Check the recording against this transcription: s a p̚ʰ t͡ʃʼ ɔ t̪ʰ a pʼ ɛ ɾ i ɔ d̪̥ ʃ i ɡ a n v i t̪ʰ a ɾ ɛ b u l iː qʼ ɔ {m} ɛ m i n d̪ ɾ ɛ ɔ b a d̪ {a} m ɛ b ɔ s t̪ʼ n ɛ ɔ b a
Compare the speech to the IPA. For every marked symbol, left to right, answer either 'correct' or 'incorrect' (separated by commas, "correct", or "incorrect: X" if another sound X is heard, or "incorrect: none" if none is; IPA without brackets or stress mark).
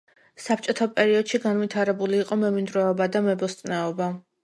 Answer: correct, correct